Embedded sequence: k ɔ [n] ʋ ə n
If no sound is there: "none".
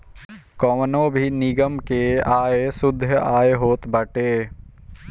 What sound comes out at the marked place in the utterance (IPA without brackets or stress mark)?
none